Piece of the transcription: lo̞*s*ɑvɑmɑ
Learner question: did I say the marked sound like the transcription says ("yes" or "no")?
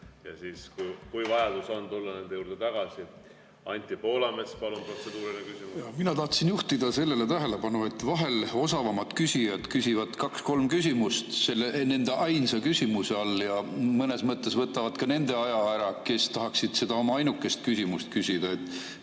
yes